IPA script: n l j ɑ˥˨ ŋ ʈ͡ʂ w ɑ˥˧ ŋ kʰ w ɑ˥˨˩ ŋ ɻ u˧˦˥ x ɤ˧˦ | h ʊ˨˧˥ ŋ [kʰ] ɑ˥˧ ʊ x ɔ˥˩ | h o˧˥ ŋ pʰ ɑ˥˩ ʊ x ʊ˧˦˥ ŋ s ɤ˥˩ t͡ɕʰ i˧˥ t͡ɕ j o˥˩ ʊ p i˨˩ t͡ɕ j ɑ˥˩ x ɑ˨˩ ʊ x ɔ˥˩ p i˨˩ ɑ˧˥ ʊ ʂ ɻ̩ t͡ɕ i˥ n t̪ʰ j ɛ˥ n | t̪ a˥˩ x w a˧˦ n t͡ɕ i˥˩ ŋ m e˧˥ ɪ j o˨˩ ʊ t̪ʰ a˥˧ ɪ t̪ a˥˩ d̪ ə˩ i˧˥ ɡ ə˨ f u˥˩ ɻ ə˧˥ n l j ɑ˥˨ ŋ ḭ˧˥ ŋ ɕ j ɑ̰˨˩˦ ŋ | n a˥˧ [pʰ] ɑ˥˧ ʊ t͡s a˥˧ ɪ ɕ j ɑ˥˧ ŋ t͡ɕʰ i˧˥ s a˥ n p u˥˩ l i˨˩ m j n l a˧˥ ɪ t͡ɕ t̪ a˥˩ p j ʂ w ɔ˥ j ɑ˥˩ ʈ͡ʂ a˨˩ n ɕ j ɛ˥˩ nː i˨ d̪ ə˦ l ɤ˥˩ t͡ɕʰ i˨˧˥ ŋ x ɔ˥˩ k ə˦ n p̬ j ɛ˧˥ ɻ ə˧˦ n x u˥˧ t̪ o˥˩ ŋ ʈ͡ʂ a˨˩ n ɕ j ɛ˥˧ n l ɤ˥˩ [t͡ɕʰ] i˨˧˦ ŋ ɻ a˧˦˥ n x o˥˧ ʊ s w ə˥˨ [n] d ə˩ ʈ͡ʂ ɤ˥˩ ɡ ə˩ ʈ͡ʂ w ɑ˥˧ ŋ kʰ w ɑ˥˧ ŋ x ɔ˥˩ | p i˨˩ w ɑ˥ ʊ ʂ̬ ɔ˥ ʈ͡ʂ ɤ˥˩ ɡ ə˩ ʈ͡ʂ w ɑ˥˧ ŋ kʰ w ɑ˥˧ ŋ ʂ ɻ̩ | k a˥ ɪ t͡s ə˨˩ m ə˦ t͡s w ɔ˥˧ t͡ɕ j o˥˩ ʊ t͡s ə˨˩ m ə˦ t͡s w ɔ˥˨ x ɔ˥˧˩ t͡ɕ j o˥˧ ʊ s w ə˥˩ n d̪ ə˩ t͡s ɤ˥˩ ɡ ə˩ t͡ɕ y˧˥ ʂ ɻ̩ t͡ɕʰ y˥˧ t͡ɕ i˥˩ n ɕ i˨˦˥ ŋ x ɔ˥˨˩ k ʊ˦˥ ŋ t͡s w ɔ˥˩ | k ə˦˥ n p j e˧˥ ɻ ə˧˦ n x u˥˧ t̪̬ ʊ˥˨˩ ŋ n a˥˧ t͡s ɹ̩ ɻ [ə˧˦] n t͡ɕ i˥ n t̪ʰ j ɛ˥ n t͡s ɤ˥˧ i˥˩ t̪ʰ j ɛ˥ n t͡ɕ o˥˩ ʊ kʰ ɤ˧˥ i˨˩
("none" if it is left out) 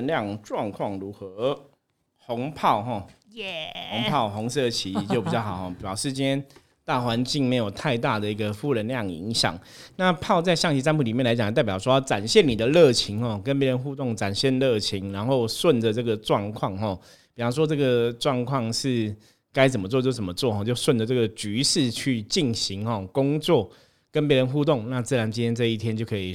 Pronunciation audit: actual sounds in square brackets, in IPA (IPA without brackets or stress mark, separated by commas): pʰ, pʰ, t͡ɕʰ, n, a˧˦